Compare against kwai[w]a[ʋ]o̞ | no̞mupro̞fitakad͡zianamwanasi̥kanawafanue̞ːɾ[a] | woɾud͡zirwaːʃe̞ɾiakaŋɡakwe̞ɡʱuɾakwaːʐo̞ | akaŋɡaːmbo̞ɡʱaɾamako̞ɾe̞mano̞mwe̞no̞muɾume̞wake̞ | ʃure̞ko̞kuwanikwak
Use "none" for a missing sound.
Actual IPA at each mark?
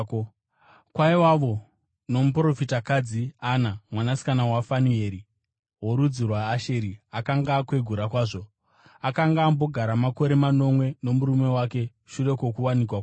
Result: w, ʋ, i

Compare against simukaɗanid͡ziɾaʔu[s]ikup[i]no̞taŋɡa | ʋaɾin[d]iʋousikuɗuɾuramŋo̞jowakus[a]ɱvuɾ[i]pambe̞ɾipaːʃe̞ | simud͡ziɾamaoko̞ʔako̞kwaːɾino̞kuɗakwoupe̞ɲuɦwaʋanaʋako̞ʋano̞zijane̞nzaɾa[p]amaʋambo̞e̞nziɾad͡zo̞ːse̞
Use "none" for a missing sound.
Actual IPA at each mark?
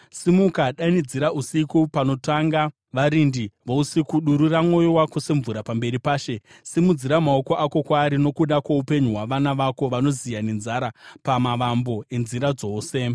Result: s, a, d, e, a, p

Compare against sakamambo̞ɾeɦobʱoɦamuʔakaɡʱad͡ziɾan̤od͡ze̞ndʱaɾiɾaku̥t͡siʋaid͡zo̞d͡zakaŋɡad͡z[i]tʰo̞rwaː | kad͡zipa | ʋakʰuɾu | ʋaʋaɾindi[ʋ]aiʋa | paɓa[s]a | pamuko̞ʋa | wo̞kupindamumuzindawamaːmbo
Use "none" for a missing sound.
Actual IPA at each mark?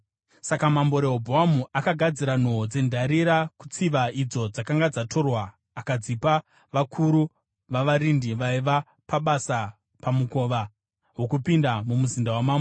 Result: a, ʋ, s

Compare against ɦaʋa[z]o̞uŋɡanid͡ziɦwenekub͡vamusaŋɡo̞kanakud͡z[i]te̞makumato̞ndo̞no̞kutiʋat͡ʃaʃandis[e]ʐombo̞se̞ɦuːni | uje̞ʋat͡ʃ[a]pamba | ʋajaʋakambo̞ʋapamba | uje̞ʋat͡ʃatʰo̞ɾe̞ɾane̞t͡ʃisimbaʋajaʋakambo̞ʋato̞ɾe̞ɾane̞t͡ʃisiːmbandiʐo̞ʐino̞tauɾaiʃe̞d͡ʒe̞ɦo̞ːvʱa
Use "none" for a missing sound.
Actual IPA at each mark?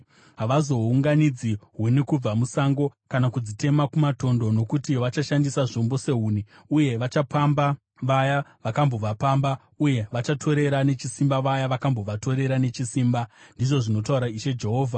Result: z, i, a, a

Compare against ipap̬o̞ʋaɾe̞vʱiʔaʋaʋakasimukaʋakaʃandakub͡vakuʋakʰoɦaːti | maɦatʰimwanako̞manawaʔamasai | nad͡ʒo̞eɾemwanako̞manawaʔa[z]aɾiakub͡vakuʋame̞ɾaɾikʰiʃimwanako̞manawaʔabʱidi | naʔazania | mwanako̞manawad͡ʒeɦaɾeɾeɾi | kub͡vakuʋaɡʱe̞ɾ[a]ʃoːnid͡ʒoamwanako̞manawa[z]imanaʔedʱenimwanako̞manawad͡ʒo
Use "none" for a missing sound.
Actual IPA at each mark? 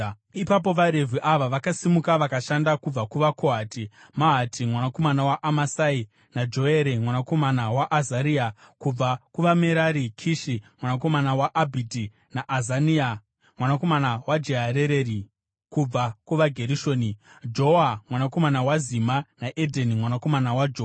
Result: z, i, z

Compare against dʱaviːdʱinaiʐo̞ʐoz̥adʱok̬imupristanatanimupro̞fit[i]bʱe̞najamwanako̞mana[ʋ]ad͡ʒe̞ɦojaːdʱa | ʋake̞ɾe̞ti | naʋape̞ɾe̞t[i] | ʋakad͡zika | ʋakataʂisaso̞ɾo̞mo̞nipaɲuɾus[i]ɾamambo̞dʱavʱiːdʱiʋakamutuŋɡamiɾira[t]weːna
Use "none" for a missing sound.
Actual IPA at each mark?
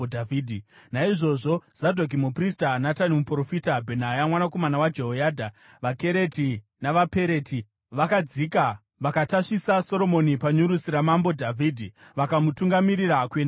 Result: a, w, i, i, k

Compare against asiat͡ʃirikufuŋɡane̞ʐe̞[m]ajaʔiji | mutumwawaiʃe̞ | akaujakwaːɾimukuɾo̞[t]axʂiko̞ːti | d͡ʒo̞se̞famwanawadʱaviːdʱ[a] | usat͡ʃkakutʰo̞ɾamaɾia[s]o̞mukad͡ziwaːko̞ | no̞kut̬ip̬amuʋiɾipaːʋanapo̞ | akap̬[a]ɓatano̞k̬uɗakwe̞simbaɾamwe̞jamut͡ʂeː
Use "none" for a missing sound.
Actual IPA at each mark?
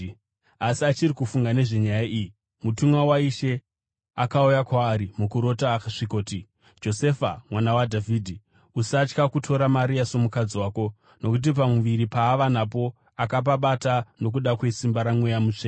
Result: ɲ, t, i, s, a

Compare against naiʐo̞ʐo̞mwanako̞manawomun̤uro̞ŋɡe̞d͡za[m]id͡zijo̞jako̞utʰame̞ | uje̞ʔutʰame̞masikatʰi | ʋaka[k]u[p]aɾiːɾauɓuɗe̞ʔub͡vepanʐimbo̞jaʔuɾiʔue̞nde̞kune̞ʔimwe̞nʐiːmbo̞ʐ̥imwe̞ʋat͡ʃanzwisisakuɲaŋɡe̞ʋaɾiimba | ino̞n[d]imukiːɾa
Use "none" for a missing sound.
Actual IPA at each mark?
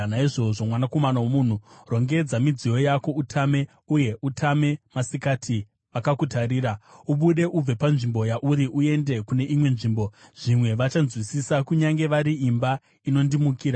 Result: m, k, t, d

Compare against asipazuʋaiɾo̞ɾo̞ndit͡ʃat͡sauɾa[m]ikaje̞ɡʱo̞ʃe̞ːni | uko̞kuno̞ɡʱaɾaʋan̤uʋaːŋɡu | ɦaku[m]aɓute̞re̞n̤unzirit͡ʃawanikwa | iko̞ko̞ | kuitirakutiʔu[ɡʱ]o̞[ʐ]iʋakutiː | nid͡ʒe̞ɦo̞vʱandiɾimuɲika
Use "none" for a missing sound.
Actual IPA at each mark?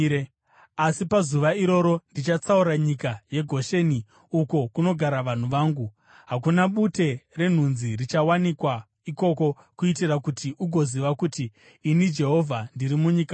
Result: ɲ, n, ɡʱ, z

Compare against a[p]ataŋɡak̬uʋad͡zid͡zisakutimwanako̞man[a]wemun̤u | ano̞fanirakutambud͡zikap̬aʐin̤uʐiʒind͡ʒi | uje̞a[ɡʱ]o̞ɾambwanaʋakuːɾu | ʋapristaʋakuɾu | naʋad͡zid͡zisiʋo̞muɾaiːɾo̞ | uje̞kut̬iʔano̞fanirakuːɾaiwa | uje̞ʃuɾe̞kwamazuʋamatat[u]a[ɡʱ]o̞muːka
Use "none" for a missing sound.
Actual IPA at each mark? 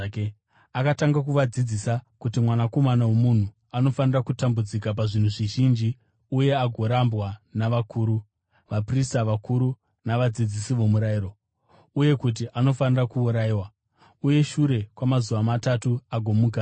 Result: k, a, ɡʱ, u, ɡʱ

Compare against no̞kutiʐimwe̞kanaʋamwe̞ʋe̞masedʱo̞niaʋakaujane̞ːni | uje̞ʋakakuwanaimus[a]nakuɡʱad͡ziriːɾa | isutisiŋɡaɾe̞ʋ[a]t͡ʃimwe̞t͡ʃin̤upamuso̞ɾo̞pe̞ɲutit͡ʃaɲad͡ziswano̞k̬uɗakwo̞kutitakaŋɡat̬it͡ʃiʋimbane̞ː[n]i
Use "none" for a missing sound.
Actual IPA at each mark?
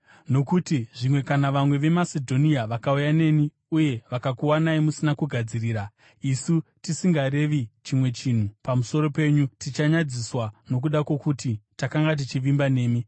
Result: i, i, m

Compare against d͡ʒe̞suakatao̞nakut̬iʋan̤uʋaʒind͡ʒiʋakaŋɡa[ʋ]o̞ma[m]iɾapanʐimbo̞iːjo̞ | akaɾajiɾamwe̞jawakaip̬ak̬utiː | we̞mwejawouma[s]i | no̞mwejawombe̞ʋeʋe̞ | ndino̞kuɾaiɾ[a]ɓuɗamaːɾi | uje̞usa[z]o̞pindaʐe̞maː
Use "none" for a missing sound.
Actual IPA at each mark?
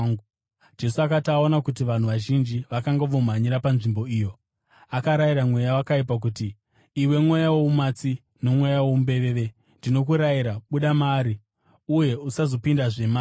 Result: ʋ, ɲ, t͡s, a, z

